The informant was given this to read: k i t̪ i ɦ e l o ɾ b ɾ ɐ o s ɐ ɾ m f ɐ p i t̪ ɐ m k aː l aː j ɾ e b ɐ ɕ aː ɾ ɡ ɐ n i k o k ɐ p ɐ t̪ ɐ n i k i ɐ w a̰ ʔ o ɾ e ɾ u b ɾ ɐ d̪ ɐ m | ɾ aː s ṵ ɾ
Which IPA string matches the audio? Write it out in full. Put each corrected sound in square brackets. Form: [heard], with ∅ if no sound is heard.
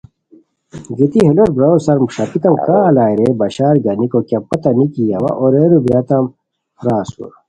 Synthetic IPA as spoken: [ɡ] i t̪ i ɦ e l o ɾ b ɾ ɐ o s ɐ ɾ m [ʂ] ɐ p i t̪ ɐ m k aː l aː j ɾ e b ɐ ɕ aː ɾ ɡ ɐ n i k o k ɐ p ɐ t̪ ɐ n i k i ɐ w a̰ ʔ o ɾ e ɾ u b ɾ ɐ [t̪] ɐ m | ɾ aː s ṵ ɾ